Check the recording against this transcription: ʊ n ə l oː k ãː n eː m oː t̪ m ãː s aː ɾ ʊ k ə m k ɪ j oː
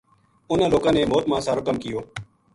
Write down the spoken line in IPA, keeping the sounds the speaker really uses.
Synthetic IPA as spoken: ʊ n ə l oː k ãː n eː m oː t̪ m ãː s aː ɾ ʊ k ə m k ɪ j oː